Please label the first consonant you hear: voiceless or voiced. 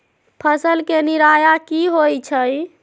voiceless